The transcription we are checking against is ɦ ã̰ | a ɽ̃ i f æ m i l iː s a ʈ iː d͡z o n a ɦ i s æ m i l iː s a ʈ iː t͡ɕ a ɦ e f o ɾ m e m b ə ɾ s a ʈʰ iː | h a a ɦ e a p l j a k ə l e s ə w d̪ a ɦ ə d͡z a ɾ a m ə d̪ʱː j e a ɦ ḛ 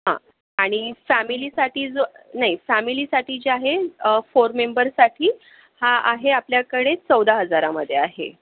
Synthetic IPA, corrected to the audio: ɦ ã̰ | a ɽ̃ i f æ m i l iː s a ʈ iː d͡z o n a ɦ i f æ m i l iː s a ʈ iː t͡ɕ a ɦ e f o ɾ m e m b ə ɾ s a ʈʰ iː | h a a ɦ e a p l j a k ə ɽ e t͡s ə w d̪ a ɦ ə d͡z a ɾ a m ə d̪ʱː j e a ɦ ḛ